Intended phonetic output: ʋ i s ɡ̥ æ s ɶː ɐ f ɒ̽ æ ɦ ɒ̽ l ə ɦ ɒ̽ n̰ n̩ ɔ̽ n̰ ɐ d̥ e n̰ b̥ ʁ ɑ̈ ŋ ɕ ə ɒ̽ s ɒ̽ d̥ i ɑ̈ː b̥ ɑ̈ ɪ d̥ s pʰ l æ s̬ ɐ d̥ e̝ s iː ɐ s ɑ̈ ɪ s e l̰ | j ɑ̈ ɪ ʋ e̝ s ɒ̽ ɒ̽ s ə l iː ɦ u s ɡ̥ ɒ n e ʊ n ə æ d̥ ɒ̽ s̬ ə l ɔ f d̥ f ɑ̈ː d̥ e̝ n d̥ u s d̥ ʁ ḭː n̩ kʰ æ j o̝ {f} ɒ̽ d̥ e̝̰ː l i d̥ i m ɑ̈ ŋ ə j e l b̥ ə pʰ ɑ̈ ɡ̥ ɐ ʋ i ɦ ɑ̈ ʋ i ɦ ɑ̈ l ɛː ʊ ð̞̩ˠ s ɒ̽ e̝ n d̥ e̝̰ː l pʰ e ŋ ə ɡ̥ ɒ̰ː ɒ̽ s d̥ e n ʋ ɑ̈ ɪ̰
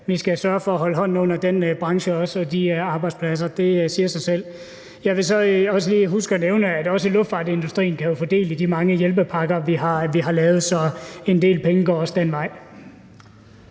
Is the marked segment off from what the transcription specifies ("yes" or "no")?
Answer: no